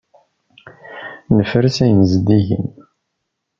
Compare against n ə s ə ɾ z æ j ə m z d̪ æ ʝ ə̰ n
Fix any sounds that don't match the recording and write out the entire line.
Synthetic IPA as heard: n ə f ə ɾ s æ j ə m z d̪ i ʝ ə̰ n